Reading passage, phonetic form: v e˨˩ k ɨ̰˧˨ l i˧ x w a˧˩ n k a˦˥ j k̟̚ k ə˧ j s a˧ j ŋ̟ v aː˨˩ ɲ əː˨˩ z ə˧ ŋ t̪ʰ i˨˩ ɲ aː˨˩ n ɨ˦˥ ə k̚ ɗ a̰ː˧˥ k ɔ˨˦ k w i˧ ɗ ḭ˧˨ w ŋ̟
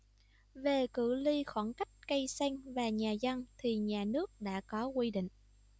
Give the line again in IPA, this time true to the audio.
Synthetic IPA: v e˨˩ k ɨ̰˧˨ l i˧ x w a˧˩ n k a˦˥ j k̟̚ k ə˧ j s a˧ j ŋ̟ v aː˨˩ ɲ aː˨˩ z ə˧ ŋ t̪ʰ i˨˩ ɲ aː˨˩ n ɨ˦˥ ə k̚ ɗ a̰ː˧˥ k ɔ˨˦ k w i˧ ɗ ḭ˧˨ ŋ̟